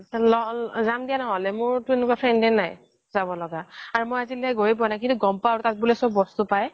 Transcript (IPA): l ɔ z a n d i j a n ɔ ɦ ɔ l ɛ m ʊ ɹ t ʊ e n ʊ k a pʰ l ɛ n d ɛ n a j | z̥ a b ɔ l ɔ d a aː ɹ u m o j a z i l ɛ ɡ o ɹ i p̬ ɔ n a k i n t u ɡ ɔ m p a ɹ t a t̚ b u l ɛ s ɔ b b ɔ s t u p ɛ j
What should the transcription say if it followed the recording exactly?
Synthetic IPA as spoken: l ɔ z a m d i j a n ɔ ɦ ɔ l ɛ m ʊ ɹ t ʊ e n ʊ k a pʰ ɹ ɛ n d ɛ n a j | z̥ a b ɔ l ɔ ɡ a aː ɹ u m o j a z i l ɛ ɡ o ɹ i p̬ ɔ n a k i n t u ɡ ɔ m p a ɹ t a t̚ b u l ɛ s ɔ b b ɔ s t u p a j